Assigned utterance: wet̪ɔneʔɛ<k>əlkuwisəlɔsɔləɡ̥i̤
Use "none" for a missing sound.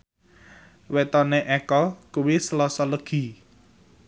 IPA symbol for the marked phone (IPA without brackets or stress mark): k